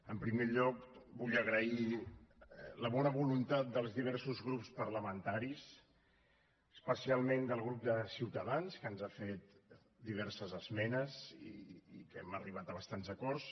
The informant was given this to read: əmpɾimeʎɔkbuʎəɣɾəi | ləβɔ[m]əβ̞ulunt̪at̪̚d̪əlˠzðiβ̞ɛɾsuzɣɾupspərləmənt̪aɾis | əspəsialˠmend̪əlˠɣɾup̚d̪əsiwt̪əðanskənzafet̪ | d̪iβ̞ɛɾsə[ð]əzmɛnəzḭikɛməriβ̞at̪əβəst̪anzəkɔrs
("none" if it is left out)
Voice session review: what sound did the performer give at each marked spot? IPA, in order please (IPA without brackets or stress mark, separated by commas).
n, z